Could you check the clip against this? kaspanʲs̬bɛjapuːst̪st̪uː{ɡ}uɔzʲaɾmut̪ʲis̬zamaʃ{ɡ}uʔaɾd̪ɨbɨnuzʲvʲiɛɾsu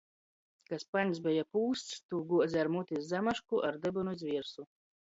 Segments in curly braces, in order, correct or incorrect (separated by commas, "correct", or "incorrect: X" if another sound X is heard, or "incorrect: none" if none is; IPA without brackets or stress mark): correct, incorrect: k